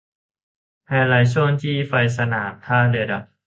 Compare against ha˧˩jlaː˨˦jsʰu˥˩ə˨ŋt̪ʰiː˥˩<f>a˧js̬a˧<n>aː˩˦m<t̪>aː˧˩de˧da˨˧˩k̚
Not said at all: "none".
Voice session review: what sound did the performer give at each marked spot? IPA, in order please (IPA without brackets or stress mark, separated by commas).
f, n, t̪ʰ